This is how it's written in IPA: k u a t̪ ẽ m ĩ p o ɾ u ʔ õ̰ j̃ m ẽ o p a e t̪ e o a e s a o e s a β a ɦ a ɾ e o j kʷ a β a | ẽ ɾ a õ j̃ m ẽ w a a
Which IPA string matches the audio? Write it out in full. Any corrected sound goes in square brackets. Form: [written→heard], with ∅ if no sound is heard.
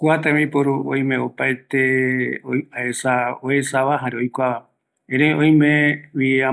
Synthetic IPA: k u a t̪ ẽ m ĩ p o ɾ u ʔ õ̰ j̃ m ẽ o p a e t̪ e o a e s a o e s a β a ɦ a ɾ e o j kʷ a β a | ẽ ɾ [a→e] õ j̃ m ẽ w [a→i] a